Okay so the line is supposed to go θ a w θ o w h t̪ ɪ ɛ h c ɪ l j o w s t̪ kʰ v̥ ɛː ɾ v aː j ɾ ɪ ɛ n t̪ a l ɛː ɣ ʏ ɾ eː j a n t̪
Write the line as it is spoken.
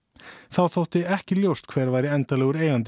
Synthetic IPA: θ a w θ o w h t̪ ɪ ɛ h c ɪ l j o w s t̪ kʰ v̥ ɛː ɾ v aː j ɾ ɪ ɛ n t̪ a l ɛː ɣ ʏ ɾ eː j a n t̪